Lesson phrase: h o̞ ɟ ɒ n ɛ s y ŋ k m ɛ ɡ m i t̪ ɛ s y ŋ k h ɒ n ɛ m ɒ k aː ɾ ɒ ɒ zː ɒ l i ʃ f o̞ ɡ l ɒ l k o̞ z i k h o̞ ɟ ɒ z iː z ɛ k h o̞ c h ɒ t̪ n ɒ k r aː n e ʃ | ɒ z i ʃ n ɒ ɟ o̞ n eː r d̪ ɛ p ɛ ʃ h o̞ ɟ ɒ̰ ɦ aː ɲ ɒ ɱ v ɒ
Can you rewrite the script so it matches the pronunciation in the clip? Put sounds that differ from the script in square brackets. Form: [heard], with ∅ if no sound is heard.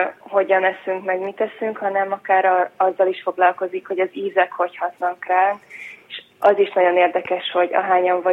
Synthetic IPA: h o̞ ɟ ɒ n ɛ s y ŋ k m ɛ ɡ m i t̪ ɛ s y ŋ k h ɒ n ɛ m ɒ k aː ɾ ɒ ɒ zː ɒ l i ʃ f o̞ ɡ l ɒ l k o̞ z i k h o̞ ɟ ɒ z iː z ɛ k h o̞ c h ɒ t̪ n ɒ k r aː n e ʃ | ɒ z i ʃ n ɒ ɟ o̞ n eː r d̪ ɛ [k] ɛ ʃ h o̞ ɟ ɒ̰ ɦ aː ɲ ɒ ɱ v ɒ